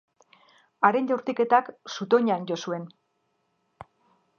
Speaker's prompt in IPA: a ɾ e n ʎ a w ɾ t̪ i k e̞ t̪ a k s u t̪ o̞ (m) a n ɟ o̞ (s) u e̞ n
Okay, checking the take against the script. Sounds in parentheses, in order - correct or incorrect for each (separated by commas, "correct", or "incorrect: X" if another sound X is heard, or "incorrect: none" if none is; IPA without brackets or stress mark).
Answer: incorrect: ɲ, correct